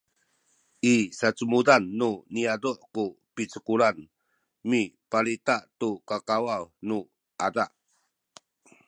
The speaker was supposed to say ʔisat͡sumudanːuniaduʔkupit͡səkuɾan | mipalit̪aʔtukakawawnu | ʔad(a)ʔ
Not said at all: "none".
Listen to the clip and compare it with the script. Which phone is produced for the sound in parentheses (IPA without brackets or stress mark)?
a